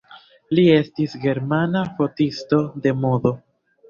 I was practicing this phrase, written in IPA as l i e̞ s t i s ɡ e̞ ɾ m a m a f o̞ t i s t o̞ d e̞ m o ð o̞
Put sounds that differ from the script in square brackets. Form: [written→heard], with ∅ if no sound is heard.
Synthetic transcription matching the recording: l i e̞ s t i s ɡ e̞ ɾ m a [m→n] a f o̞ t i s t o̞ d e̞ m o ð o̞